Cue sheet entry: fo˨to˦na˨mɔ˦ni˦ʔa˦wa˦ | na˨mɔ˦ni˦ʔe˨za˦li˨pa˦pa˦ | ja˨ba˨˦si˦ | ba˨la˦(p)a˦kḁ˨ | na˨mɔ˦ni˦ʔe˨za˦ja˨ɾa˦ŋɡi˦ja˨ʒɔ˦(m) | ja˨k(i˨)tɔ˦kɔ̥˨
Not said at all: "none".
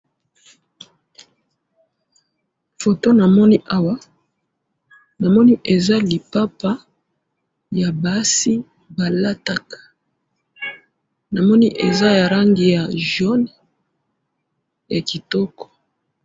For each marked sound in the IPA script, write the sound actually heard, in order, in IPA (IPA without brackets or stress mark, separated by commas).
t, n, i˨